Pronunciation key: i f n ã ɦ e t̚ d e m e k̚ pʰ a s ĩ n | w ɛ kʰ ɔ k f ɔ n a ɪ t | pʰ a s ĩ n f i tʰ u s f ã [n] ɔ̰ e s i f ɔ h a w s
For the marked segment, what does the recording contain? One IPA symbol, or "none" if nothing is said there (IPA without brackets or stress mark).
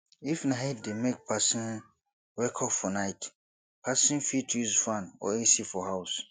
n